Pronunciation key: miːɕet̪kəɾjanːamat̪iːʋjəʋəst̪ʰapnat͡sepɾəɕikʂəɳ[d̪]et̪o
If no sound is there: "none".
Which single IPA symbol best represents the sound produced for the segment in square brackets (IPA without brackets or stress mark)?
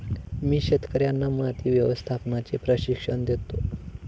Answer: d̪